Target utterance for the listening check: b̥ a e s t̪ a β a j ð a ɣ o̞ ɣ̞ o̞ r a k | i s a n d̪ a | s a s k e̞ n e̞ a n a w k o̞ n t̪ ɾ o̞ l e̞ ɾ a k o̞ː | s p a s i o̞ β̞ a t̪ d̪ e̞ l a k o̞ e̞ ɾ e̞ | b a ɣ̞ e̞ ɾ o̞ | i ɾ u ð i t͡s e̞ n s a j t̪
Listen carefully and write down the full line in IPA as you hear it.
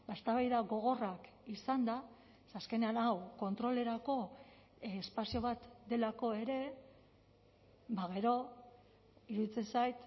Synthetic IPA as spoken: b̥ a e s t̪ a β a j ð a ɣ o̞ ɣ̞ o̞ r a k | i s a n d̪ a | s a s k e̞ n e̞ a n a w k o̞ n t̪ ɾ o̞ l e̞ ɾ a k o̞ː | s p a s i o̞ β̞ a t̪ d̪ e̞ l a k o̞ e̞ ɾ e̞ | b a ɣ̞ e̞ ɾ o̞ | i ɾ u ð i t͡s e̞ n s a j t̪